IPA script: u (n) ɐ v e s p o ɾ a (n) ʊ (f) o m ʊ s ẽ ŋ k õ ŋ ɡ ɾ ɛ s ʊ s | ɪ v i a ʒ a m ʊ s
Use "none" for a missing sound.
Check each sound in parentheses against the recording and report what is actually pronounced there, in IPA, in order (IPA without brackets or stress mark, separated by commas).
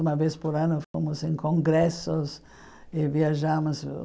m, n, f